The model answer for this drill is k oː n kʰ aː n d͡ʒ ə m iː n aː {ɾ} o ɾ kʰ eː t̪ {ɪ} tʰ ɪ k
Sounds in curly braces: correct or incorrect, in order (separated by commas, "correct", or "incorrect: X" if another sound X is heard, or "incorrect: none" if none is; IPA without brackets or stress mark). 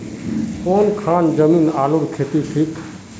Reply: incorrect: l, incorrect: i